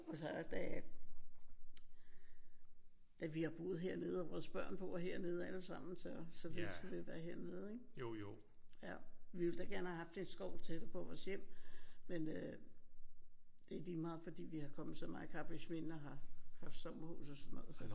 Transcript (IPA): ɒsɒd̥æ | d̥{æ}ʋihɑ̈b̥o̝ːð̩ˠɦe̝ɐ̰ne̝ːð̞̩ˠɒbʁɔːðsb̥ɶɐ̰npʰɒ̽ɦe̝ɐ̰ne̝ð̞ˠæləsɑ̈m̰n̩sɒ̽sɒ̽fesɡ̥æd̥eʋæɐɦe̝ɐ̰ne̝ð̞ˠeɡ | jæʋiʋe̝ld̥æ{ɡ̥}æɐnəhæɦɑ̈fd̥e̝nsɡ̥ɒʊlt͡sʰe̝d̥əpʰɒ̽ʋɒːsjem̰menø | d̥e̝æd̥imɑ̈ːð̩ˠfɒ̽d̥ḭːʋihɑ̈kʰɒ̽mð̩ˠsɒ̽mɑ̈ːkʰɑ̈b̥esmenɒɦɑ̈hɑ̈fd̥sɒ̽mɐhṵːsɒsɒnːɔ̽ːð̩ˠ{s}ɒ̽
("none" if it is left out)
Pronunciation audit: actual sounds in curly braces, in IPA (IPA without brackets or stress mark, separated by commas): æ, ɡ̥, s